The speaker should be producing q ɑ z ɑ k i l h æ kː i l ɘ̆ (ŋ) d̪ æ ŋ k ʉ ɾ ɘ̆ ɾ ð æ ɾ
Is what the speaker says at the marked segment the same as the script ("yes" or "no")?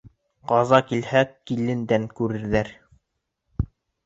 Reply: no